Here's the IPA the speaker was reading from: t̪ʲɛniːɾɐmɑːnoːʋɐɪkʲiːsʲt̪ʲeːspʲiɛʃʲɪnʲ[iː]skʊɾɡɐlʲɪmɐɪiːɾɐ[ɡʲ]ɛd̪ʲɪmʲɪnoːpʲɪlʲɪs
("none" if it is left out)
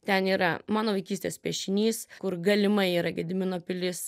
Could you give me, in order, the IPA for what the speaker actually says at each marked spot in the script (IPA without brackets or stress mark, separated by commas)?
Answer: iː, ɡʲ